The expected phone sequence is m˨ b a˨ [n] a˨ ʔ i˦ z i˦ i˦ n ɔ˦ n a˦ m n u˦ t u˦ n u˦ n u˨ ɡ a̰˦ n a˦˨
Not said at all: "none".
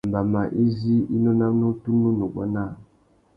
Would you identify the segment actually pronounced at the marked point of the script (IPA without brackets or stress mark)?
m